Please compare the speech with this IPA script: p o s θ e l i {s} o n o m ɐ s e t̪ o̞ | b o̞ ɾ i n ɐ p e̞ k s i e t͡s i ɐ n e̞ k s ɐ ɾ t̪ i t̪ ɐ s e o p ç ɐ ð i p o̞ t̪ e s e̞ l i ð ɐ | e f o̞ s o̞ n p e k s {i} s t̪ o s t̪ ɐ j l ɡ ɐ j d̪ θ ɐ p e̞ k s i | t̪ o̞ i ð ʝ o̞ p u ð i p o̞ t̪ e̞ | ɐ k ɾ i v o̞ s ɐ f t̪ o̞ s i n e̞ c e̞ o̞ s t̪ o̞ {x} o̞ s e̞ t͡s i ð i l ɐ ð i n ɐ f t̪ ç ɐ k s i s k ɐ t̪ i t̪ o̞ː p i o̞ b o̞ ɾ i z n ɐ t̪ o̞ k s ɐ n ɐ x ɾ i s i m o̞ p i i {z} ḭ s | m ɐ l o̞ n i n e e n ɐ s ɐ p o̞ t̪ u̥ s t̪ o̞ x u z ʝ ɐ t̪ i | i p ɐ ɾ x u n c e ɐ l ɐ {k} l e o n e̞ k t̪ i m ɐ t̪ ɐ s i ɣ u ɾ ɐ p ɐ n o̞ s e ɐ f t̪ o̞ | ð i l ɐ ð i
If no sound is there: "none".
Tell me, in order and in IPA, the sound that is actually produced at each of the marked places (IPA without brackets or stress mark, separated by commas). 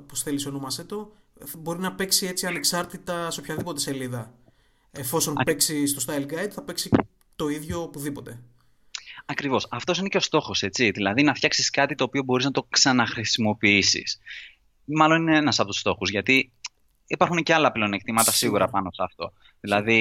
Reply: s, i, x, s, p